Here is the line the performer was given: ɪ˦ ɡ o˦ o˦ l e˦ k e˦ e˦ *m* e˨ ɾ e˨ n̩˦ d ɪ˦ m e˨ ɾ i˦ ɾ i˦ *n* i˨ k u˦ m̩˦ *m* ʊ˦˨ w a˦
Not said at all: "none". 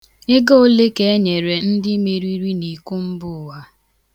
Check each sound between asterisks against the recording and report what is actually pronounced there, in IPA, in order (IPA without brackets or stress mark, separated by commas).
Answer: ɲ, n, b